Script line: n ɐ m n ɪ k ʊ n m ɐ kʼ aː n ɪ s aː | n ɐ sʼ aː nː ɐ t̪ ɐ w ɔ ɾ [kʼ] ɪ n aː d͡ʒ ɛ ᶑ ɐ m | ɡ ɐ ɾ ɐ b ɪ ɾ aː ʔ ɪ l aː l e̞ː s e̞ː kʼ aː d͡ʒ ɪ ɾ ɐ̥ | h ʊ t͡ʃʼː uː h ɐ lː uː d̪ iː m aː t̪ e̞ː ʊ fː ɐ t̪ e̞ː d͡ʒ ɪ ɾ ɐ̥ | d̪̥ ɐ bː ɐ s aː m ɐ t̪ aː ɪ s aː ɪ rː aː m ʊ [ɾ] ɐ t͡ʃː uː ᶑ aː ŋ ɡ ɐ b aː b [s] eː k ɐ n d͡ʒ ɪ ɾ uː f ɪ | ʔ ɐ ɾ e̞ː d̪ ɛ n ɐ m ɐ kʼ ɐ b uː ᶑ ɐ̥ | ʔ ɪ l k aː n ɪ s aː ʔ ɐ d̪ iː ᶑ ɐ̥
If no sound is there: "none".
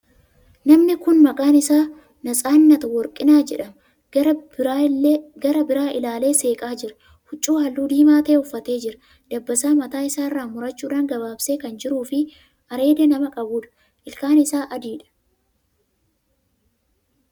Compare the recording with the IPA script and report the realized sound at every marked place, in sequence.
kʼ, ɾ, s

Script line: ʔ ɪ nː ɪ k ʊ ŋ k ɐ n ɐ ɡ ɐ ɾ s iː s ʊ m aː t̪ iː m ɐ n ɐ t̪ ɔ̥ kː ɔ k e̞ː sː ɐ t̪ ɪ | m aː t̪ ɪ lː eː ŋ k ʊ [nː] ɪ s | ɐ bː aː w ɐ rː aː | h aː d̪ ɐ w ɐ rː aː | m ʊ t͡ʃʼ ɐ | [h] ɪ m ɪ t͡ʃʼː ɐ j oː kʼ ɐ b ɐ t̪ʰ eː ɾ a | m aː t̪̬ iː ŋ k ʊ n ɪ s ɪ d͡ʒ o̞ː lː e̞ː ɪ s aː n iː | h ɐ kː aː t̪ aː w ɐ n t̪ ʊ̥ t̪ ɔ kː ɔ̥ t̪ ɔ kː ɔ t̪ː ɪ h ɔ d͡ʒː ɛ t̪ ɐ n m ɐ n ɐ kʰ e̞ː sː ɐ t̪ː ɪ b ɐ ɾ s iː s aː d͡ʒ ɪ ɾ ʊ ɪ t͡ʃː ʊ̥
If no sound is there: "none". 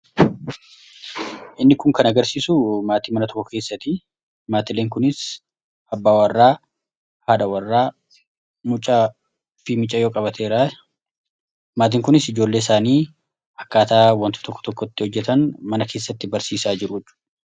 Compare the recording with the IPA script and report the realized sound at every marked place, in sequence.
n, f

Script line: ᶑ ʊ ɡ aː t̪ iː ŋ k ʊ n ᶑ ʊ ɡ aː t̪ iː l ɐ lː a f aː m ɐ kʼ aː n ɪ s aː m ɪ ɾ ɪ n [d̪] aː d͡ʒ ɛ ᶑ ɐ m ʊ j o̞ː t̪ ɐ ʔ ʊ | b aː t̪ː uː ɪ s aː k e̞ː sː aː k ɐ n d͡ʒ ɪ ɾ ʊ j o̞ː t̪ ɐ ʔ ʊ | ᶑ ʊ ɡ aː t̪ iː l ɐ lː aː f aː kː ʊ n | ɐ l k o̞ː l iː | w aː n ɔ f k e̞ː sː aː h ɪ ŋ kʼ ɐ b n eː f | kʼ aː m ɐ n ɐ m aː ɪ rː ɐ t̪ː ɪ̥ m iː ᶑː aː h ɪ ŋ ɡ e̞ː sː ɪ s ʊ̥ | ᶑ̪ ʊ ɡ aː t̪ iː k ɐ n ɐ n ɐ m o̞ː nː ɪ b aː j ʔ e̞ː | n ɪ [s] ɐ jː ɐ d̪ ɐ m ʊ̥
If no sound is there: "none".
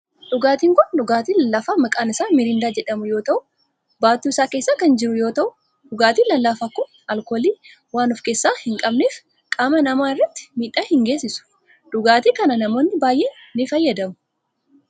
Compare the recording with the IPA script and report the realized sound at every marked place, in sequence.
d̪, f

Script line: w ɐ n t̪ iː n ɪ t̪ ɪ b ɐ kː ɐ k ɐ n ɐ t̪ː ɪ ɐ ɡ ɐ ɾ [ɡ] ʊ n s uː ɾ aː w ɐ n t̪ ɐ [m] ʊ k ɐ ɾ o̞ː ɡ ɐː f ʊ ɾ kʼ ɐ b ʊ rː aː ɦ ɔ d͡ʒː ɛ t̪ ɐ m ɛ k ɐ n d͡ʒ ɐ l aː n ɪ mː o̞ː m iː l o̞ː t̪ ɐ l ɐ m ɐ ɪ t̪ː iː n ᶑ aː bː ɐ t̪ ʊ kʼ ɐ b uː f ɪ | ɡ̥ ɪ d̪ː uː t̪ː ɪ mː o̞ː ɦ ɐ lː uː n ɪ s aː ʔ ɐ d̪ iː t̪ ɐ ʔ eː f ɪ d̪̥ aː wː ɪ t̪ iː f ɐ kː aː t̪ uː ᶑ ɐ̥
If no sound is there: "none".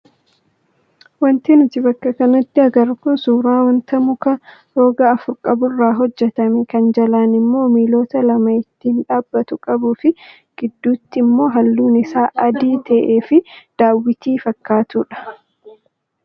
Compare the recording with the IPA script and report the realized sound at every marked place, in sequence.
k, m

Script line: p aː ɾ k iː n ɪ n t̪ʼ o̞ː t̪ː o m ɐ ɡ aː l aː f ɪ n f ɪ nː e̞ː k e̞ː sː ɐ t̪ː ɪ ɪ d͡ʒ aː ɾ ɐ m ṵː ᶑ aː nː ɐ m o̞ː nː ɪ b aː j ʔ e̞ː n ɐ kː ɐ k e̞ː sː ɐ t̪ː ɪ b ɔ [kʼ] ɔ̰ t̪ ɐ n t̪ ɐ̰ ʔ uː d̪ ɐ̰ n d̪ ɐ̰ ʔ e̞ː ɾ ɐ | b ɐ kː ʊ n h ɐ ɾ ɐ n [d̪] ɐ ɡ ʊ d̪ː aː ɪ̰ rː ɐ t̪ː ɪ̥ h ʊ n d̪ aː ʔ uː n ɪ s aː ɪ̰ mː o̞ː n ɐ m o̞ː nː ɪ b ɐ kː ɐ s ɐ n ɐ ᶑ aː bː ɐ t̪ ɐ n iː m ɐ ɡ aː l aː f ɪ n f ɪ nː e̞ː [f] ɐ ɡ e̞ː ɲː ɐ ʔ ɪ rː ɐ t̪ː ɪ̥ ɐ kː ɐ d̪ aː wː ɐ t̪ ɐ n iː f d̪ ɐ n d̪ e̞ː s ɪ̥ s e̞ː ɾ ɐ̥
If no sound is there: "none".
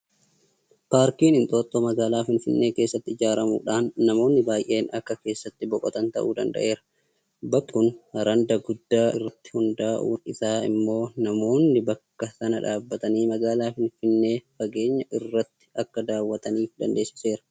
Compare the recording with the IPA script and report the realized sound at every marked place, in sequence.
kʼ, d̪, f

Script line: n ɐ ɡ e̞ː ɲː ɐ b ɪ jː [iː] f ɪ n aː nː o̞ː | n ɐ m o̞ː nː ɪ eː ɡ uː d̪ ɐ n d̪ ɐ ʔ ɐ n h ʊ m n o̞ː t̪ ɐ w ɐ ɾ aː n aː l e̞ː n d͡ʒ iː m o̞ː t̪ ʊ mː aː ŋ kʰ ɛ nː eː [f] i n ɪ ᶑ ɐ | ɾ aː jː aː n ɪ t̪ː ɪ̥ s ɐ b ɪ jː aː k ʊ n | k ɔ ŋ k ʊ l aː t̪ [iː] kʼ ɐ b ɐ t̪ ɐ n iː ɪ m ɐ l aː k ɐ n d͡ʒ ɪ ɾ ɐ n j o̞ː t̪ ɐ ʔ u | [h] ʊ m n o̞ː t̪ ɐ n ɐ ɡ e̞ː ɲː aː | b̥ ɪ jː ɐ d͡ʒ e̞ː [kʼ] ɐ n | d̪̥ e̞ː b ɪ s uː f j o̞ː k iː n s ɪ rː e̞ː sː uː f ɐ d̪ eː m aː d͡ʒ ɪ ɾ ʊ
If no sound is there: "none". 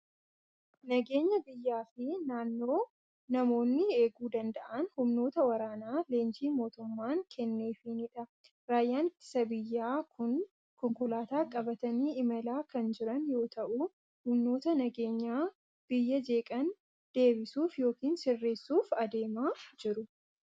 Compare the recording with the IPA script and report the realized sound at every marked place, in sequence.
aː, f, aː, h, kʼ

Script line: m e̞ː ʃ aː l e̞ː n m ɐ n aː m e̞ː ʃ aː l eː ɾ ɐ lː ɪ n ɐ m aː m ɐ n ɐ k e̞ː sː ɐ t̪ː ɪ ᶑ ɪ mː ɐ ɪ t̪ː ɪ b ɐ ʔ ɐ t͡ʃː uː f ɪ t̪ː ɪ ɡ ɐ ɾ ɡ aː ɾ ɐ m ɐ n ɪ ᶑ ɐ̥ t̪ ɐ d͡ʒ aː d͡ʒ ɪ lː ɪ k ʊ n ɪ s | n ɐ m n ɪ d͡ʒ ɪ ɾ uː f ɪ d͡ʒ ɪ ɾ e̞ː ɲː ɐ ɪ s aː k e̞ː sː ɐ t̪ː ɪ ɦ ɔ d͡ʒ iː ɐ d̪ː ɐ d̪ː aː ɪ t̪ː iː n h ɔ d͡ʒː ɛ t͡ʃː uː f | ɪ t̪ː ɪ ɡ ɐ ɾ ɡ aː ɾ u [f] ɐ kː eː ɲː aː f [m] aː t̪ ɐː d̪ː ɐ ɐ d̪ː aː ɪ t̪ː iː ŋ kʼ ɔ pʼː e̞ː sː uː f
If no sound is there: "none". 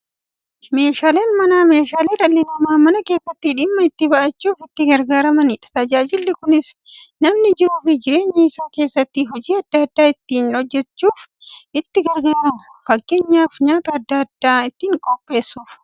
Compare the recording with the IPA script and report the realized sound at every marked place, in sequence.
f, ɲ

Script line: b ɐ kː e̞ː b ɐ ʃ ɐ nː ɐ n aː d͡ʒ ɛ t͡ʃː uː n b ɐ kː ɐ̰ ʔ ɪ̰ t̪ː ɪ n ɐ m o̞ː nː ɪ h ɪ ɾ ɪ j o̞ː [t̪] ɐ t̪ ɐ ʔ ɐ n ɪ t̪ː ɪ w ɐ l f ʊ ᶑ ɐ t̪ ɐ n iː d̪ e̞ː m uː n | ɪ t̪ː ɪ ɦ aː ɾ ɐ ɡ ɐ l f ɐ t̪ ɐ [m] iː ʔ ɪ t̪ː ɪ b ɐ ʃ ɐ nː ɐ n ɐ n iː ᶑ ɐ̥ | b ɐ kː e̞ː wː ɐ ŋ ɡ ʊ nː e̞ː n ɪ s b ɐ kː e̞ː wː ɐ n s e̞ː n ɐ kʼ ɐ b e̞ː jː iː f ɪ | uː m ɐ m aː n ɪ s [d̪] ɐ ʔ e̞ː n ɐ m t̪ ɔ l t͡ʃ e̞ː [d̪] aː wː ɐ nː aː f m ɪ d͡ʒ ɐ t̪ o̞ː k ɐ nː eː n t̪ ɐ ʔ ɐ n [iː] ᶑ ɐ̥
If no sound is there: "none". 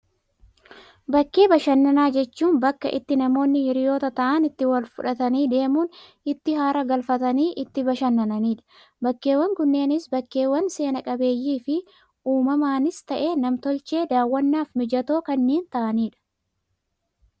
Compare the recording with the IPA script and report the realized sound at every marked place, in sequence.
t̪, n, t̪, d̪, iː

